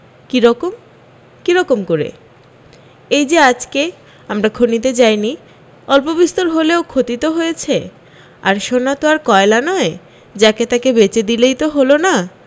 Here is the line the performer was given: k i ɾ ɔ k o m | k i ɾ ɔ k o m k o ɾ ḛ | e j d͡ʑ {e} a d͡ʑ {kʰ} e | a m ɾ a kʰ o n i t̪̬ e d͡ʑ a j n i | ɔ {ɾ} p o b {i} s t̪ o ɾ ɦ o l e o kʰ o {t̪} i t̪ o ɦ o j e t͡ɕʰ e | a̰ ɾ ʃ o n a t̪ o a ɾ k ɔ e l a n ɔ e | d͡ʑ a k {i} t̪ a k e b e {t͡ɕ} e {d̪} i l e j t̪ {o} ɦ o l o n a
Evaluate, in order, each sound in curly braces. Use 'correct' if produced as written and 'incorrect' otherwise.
correct, incorrect, incorrect, correct, correct, incorrect, correct, correct, correct

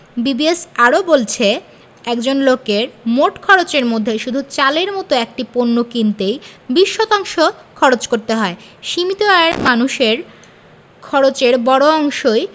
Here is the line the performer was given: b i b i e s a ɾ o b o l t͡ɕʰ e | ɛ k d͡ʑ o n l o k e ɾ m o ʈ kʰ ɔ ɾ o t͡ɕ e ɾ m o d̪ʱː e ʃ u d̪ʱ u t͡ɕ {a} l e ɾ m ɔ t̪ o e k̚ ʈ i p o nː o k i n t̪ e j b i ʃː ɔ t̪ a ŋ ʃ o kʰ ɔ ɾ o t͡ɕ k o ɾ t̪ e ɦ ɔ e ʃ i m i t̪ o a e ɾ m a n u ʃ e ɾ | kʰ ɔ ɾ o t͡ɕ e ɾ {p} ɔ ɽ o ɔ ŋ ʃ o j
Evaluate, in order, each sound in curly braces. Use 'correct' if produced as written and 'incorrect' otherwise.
correct, incorrect

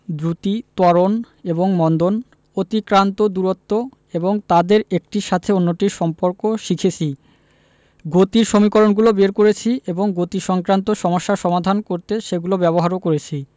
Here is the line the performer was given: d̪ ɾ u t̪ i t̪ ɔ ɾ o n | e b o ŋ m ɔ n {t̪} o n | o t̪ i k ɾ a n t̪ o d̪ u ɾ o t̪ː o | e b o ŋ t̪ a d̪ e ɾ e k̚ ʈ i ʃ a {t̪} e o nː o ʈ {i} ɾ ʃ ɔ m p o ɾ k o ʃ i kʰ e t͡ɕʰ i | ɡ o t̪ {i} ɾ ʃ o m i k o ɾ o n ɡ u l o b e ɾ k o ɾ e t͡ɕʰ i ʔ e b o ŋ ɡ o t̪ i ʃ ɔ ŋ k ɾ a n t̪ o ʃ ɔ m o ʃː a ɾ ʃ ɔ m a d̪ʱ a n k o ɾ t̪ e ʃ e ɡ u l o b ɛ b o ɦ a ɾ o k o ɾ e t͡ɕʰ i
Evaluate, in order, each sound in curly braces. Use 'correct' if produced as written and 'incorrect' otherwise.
incorrect, incorrect, correct, correct

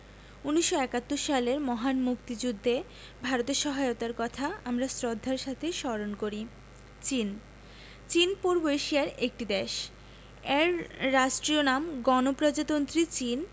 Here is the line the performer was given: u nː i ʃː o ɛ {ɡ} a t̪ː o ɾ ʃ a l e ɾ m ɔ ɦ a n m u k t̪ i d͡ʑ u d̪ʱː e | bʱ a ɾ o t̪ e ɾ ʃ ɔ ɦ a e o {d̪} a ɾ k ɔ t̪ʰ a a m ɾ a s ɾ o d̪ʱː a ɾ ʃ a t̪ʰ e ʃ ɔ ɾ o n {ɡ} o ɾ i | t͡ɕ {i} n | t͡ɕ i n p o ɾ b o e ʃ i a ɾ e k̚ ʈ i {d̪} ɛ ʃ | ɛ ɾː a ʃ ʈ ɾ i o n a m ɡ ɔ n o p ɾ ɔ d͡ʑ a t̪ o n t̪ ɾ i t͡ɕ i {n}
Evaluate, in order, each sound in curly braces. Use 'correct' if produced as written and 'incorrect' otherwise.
incorrect, incorrect, incorrect, correct, correct, correct

